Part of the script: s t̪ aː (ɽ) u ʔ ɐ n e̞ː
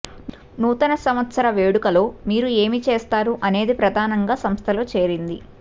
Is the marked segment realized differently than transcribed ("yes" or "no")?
yes